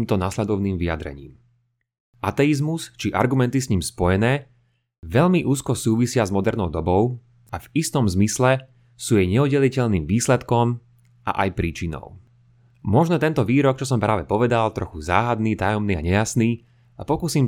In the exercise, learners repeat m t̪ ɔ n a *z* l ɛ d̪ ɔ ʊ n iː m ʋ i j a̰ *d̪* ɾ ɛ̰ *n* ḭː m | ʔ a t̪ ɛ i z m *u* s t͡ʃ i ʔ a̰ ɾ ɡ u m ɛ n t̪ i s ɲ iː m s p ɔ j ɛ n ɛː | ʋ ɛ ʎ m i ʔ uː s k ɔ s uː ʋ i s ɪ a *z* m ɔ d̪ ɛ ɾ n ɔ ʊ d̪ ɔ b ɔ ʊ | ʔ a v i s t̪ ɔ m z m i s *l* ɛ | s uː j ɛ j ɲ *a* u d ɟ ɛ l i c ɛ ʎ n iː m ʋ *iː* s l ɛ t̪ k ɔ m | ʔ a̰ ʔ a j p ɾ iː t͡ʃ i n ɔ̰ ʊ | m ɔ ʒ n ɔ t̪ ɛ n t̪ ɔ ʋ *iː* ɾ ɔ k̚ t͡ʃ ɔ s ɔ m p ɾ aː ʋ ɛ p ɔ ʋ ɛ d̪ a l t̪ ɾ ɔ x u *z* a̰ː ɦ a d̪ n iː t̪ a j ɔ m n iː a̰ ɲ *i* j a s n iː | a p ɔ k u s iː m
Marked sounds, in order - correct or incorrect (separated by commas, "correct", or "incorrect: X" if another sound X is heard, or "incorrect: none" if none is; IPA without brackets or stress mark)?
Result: incorrect: s, correct, incorrect: ɲ, correct, correct, correct, incorrect: ɛ, correct, correct, correct, incorrect: ɛ